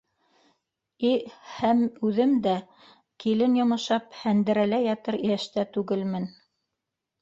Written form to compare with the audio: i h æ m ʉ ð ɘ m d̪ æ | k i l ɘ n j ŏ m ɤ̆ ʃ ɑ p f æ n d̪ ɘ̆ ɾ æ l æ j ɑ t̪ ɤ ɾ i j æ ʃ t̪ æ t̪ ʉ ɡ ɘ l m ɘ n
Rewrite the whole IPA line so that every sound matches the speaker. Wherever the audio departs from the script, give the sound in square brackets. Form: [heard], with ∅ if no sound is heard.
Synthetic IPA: i h æ m ʉ ð ɘ m d̪ æ | k i l ɘ n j ŏ m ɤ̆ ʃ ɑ p [h] æ n d̪ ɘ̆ ɾ æ l æ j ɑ t̪ ɤ ɾ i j æ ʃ t̪ æ t̪ ʉ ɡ ɘ l m ɘ n